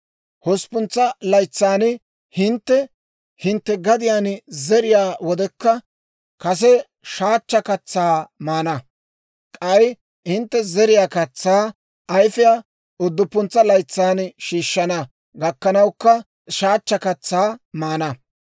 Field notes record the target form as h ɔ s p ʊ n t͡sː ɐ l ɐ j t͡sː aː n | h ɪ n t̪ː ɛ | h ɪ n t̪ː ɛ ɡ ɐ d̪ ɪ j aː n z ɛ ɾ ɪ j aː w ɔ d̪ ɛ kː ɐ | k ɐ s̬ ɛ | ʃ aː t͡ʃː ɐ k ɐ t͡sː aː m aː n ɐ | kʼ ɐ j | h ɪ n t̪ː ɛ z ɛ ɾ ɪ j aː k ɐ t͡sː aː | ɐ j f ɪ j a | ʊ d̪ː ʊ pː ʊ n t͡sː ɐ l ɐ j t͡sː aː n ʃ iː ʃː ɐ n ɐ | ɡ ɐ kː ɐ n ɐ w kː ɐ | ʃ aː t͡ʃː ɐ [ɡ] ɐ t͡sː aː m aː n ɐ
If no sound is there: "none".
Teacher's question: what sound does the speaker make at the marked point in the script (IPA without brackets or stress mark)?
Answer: k